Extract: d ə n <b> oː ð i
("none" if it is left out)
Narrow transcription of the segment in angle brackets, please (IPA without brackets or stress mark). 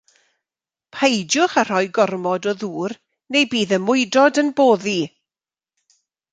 b